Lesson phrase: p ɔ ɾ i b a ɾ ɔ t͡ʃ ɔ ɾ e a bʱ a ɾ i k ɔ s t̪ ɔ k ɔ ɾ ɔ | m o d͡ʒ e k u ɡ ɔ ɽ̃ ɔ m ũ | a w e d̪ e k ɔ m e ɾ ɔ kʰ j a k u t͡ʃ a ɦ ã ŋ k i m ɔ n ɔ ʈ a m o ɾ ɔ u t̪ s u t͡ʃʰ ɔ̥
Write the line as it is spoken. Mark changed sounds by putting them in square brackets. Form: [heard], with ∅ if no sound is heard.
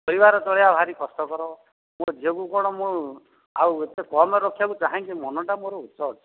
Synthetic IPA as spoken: p ɔ ɾ i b a ɾ ɔ t͡ʃ ɔ [ɭ] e a bʱ a ɾ i k ɔ s t̪ ɔ k ɔ ɾ ɔ | m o d͡ʒ e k u [k] ɔ ɽ̃ ɔ m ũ | a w e [t̪] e k ɔ m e ɾ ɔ kʰ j a k u t͡ʃ a ɦ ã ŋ k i m ɔ n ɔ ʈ a m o ɾ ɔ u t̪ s [ɔ] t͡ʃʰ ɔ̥